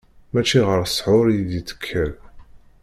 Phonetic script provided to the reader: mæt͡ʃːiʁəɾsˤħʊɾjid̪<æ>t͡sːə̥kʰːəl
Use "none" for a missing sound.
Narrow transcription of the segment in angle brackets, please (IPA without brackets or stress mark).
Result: i